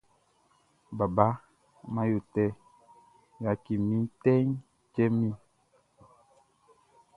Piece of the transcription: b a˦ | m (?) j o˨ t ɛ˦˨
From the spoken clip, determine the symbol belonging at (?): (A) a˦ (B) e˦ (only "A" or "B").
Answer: A